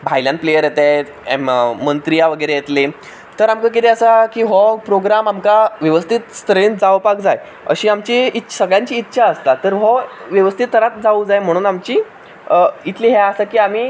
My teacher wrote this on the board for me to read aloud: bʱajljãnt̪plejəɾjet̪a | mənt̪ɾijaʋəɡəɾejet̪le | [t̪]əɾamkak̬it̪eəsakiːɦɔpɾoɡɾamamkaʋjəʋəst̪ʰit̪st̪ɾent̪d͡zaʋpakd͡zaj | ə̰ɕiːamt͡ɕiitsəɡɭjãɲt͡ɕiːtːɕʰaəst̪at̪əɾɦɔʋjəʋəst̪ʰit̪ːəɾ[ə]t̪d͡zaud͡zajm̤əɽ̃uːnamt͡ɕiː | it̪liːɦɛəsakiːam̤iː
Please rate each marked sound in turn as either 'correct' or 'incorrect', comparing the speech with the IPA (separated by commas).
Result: correct, incorrect